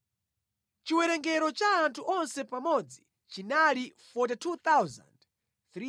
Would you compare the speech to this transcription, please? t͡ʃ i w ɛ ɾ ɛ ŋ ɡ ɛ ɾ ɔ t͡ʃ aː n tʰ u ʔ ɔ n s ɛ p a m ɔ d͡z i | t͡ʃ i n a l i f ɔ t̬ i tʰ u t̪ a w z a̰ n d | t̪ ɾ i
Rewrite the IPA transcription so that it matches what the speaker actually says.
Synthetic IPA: t͡ʃ i w ɛ ɾ ɛ ŋ ɡ ɛ ɾ ɔ t͡ʃ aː n tʰ u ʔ ɔ n s ɛ p a m ɔ d͡z i | t͡ʃ i n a l i f ɔ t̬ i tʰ u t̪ a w z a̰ n d | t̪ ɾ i